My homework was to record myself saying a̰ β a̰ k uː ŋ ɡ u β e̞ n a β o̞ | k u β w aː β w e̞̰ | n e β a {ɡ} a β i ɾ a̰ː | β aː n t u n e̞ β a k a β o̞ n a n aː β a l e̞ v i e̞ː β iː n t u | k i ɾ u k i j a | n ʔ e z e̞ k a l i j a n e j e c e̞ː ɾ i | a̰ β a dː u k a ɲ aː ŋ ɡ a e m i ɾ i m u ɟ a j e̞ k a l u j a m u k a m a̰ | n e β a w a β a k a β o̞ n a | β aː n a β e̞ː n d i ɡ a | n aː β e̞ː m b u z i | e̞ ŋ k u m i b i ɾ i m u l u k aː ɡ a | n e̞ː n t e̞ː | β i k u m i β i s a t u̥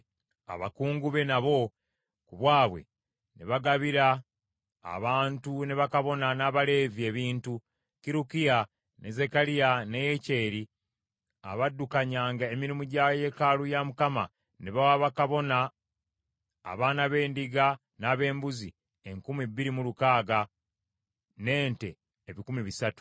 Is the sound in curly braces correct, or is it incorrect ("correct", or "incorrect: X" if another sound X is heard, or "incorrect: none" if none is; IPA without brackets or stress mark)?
correct